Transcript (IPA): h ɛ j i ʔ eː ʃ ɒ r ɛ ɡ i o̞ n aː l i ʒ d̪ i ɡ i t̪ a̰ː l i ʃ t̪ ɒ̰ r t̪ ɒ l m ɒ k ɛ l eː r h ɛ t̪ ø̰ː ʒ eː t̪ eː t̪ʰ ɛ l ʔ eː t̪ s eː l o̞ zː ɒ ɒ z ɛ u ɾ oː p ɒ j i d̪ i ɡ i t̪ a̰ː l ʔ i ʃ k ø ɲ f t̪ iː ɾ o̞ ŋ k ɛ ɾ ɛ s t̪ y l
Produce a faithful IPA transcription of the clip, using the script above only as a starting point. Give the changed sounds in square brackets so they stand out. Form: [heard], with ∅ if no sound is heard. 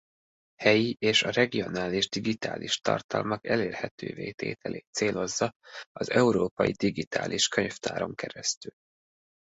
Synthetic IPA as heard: h ɛ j i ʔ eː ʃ ɒ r ɛ ɡ i o̞ n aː l i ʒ d̪ i ɡ i t̪ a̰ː l i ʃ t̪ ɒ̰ r t̪ ɒ l m ɒ k ɛ l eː r h ɛ t̪ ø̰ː [v] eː t̪ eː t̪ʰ ɛ l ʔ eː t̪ s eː l o̞ zː ɒ ɒ z ɛ u ɾ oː p ɒ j i d̪ i ɡ i t̪ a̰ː l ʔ i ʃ k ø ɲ f t̪ [aː] ɾ o̞ ŋ k ɛ ɾ ɛ s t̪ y l